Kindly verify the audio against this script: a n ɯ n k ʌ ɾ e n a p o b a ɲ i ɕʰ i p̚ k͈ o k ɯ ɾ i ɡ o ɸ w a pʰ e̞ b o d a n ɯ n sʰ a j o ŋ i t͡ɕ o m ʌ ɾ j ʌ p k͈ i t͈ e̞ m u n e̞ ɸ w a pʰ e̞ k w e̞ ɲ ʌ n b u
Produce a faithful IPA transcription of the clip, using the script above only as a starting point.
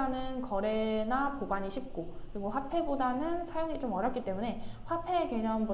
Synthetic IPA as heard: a n ɯ n k ʌ ɾ e n a p o b a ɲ i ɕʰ i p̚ k͈ o k ɯ ɾ i ɡ o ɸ w a pʰ e̞ b o d a n ɯ n sʰ a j o ŋ i t͡ɕ o m ʌ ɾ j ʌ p k͈ i t͈ e̞ m u n e̞ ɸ w a pʰ e̞ k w e̞ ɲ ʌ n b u